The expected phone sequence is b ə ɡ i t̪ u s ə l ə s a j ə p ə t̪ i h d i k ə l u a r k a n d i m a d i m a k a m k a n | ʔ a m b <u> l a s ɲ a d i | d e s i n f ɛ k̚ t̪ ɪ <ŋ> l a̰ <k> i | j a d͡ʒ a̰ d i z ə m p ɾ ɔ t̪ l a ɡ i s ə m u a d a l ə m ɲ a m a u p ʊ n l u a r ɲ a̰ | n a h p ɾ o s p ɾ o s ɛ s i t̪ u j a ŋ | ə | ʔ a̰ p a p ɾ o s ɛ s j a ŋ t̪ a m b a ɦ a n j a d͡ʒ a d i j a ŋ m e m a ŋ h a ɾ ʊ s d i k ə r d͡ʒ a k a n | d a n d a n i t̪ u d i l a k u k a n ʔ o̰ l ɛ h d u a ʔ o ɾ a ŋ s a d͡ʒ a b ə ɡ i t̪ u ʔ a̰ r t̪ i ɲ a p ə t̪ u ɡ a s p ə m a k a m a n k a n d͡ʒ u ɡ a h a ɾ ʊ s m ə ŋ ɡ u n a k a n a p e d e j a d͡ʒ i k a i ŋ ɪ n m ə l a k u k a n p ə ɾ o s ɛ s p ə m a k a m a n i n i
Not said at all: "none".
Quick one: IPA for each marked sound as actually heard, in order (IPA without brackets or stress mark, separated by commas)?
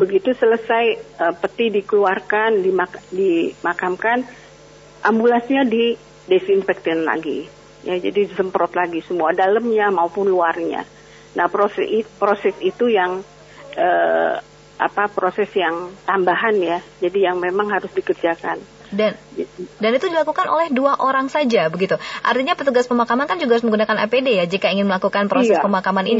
u, n, ɡ